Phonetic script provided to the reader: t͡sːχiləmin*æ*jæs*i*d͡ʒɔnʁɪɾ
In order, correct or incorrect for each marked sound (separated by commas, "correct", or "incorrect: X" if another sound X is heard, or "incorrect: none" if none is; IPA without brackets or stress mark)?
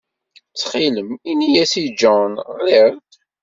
incorrect: i, correct